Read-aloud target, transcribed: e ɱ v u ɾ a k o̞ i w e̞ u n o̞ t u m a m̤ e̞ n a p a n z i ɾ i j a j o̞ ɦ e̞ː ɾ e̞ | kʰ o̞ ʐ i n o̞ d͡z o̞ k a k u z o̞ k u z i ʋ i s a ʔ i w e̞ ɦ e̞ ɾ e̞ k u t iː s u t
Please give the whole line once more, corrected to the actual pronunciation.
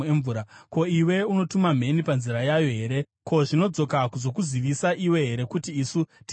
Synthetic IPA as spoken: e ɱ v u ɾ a k o̞ i w e̞ u n o̞ t u m a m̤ e̞ n i p a n z i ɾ a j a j o̞ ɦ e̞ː ɾ e̞ | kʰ o̞ ʐ i n o̞ d͡z o̞ k a k u z o̞ k u z i ʋ i s a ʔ i w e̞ ɦ e̞ ɾ e̞ k u t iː s u t